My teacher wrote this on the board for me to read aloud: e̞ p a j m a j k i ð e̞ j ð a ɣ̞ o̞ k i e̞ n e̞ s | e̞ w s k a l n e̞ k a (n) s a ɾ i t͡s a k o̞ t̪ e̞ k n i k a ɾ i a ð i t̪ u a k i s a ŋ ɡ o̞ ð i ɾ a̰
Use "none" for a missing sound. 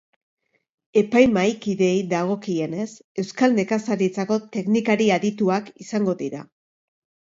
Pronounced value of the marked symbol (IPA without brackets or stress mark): none